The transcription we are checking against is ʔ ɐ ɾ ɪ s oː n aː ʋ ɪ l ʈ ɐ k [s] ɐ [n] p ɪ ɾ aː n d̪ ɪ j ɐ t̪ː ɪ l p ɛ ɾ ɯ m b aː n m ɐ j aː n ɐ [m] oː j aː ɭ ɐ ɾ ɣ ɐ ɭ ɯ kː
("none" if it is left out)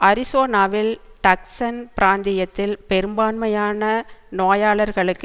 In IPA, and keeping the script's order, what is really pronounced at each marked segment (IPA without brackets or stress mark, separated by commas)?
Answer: s, n, n